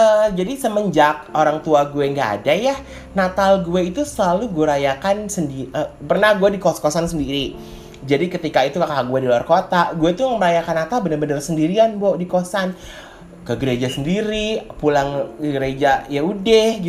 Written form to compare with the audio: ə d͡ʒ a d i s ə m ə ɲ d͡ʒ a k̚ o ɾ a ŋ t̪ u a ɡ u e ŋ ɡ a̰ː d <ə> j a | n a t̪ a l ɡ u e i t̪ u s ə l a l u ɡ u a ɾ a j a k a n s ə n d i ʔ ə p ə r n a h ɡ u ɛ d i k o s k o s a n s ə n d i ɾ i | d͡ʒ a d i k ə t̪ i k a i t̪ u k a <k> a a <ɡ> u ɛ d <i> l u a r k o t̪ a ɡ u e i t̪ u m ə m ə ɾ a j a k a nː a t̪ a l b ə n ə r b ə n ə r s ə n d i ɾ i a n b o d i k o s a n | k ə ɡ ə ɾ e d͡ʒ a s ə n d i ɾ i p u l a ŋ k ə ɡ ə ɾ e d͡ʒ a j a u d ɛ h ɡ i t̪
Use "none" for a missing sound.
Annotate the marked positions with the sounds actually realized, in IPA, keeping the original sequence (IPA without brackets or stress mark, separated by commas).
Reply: a, k, ɡ, i